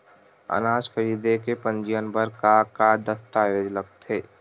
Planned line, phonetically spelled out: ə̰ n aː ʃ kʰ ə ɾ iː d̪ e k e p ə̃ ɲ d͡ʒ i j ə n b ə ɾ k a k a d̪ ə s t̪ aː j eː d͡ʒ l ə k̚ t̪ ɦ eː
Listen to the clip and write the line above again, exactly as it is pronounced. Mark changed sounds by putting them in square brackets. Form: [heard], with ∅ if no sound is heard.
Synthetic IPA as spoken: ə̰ n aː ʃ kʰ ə ɾ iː d̪ e k e p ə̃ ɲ d͡ʒ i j ə n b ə ɾ k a k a d̪ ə s t̪ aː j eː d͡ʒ l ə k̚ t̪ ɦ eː